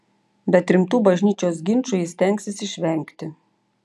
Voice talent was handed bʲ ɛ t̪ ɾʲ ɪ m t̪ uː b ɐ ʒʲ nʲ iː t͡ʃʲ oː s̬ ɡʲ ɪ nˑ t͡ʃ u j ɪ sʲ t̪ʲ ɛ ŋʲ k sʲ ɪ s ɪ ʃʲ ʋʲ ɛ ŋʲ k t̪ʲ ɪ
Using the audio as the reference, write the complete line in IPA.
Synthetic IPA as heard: bʲ ɛ t̪ ɾʲ ɪ m t̪ uː b ɐ ʒʲ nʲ iː t͡ʃʲ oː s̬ ɡʲ ɪ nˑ t͡ʃ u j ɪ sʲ t̪ʲ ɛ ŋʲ k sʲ ɪ s ɪ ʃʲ ʋʲ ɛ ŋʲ k t̪ʲ ɪ